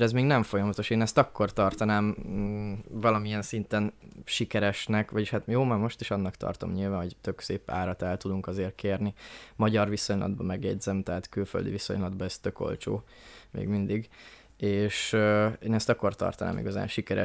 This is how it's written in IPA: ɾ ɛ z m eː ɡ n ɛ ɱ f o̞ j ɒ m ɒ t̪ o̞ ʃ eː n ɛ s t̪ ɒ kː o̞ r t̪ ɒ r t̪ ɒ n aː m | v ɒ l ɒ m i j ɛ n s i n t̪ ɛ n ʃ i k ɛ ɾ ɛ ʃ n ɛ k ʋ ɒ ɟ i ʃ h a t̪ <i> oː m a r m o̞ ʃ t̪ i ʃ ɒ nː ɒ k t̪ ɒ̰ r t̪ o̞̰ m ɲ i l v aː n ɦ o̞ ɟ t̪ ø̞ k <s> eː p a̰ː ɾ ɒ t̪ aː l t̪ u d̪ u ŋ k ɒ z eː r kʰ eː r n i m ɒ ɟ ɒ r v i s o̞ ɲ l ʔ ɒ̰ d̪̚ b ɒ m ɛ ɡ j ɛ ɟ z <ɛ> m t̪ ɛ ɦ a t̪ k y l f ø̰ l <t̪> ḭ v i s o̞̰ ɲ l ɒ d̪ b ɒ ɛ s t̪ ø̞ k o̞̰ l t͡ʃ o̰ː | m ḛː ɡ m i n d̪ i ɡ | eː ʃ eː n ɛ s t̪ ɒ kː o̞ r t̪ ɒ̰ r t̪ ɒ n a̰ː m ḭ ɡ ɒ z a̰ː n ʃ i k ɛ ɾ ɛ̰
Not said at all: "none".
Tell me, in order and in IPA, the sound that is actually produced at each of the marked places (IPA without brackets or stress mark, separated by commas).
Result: j, s, ɛ, d̪